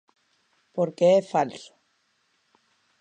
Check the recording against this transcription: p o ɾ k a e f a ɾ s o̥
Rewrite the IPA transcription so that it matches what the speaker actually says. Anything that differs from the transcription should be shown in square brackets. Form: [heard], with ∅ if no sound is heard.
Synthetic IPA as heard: p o ɾ k [e] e f a [l] s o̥